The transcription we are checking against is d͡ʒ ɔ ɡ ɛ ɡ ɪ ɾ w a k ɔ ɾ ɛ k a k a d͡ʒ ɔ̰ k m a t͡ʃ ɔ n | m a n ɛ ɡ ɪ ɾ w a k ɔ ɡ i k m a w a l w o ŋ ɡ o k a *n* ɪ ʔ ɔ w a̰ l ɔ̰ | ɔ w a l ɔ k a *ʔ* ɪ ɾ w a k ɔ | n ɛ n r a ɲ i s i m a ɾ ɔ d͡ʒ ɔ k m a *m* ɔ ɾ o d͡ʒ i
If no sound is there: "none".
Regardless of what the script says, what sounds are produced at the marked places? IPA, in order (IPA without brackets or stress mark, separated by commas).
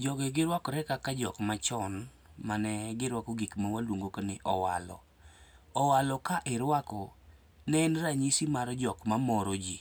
n, ʔ, m